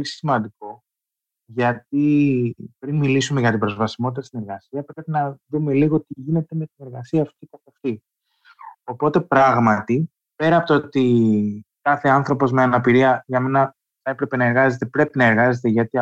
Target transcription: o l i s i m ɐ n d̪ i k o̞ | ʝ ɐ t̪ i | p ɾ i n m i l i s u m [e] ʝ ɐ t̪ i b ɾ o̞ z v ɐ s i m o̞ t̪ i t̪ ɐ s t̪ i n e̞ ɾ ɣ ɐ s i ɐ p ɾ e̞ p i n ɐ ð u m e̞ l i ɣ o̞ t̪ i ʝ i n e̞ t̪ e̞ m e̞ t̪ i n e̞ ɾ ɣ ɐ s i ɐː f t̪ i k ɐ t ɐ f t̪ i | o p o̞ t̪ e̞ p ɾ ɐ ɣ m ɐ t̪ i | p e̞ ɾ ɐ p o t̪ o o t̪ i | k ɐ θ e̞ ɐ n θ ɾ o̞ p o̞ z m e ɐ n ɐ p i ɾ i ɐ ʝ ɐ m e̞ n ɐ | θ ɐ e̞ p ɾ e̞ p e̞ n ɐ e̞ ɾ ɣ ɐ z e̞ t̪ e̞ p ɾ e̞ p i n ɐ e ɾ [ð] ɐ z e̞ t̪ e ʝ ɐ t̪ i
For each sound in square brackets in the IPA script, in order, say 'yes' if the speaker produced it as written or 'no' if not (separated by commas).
yes, no